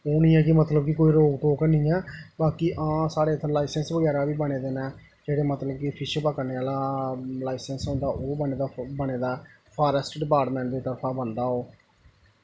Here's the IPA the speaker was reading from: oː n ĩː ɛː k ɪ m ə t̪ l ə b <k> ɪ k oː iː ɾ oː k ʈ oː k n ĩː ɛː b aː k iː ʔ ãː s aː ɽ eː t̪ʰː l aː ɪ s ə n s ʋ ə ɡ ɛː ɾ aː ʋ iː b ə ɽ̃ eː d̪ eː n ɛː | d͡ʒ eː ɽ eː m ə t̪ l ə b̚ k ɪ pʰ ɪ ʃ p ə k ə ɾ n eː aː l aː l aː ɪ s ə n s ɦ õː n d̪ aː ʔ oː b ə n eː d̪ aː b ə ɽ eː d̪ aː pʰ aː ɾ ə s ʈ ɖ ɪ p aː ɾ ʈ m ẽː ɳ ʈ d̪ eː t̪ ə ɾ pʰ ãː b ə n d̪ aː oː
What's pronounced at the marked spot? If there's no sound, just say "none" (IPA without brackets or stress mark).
k